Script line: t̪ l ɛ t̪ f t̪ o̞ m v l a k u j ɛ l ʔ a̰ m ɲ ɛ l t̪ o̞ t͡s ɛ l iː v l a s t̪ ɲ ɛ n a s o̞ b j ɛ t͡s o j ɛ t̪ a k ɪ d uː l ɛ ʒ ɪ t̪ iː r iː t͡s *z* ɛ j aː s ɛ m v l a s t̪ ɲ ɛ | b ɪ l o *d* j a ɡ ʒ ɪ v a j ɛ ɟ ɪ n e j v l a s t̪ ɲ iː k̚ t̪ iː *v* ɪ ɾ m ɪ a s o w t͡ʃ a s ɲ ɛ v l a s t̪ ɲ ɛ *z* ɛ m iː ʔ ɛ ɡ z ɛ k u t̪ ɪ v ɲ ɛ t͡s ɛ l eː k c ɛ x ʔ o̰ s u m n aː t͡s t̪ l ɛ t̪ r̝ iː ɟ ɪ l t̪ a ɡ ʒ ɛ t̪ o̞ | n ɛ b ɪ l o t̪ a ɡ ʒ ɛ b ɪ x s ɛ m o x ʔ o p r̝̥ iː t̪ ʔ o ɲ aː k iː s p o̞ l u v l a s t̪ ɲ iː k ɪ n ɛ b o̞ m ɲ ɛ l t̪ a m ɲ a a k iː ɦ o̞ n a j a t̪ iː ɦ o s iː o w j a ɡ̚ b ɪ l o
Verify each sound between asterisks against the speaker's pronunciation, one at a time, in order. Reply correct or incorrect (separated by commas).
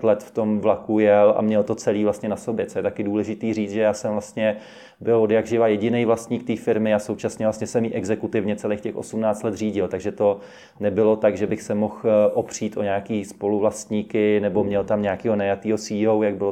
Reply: incorrect, correct, incorrect, incorrect